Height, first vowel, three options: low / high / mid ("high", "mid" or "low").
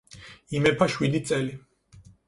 high